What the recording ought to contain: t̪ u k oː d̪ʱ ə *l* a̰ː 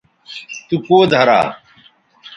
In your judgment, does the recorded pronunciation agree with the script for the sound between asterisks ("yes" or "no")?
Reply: no